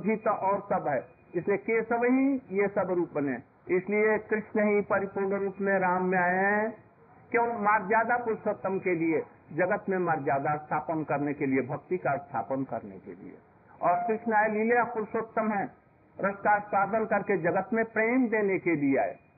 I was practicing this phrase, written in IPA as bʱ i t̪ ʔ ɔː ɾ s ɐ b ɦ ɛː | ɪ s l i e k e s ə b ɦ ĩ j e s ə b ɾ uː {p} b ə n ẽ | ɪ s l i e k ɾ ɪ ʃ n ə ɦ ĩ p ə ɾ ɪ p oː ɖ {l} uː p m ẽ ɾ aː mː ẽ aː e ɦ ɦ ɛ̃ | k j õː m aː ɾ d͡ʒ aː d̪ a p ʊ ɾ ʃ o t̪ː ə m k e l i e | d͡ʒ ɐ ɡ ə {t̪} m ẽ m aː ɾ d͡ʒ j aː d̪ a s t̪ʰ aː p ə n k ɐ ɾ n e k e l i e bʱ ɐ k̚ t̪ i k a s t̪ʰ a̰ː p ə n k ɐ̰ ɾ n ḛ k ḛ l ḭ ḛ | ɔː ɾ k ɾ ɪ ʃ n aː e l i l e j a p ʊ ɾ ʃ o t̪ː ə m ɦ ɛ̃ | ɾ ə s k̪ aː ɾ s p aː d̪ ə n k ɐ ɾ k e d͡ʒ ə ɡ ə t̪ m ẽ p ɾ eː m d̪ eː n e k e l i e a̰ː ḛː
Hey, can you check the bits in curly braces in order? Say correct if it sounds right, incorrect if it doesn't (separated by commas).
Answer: correct, incorrect, correct